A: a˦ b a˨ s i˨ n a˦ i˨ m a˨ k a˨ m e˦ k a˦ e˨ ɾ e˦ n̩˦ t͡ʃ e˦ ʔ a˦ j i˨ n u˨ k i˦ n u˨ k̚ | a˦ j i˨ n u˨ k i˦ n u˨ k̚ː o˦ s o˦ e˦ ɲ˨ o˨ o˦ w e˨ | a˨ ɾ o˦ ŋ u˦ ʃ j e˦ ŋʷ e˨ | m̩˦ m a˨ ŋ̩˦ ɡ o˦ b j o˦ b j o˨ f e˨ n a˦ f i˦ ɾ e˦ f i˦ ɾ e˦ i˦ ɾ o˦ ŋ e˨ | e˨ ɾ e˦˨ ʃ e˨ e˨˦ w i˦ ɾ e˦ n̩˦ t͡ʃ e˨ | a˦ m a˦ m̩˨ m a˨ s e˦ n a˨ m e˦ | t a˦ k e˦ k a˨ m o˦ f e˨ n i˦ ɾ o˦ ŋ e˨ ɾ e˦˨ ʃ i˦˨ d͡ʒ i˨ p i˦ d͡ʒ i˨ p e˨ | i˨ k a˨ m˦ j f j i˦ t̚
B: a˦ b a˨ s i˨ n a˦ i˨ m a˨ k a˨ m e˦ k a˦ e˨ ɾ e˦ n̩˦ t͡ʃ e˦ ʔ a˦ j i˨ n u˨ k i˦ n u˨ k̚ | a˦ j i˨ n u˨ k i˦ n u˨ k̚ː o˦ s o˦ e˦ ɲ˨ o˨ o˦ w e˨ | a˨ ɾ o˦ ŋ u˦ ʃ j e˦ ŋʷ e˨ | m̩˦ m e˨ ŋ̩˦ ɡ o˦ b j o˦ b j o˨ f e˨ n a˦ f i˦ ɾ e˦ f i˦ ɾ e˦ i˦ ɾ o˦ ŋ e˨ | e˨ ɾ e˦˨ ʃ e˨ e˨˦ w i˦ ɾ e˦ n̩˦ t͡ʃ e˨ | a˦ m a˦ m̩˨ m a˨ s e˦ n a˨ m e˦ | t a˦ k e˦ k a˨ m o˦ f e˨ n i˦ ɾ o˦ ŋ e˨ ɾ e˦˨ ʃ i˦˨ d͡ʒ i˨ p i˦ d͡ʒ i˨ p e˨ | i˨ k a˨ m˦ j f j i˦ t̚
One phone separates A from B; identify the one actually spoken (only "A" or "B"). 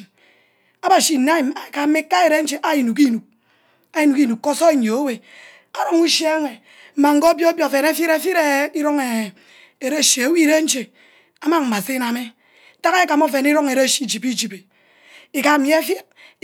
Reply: A